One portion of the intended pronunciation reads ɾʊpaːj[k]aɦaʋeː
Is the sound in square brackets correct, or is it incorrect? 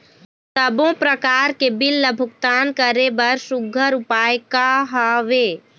correct